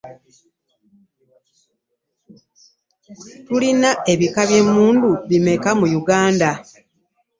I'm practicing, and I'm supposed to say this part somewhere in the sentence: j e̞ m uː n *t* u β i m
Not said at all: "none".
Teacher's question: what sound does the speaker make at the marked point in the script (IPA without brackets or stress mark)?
d